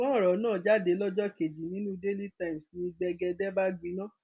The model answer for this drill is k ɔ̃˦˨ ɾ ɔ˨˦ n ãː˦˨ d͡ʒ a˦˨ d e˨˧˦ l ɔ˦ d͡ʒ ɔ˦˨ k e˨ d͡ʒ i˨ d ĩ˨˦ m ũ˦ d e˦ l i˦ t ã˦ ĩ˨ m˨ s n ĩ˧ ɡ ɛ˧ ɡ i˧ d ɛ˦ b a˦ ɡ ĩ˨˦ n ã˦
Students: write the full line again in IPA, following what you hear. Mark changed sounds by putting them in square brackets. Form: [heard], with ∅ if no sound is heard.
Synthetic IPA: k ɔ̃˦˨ ɾ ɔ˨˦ n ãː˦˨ d͡ʒ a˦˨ d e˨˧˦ l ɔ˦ d͡ʒ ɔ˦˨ k e˨ d͡ʒ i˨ [n] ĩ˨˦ [n] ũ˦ d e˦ l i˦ t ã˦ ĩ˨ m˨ s n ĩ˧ [ɡ͡b] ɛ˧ ɡ [ɛ˧] d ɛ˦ b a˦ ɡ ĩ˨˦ n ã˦